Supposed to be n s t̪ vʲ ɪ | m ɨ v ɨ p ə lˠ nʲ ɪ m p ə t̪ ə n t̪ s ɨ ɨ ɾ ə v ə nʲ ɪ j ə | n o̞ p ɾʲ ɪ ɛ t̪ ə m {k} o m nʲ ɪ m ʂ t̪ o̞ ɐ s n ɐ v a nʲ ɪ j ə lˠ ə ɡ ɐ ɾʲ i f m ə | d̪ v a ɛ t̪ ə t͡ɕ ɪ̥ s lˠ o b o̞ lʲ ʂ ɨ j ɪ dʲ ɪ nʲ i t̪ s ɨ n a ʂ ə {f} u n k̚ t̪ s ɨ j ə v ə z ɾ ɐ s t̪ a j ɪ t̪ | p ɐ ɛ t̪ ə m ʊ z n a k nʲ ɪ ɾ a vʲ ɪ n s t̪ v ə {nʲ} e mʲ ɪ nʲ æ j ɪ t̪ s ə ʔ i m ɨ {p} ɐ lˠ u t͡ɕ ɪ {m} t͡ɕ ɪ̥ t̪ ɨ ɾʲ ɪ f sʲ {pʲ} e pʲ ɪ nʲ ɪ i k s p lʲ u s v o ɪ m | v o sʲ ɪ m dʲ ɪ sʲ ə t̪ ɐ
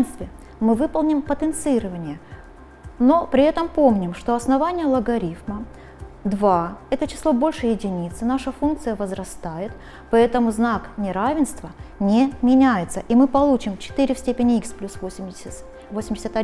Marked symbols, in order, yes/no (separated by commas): no, yes, yes, yes, yes, no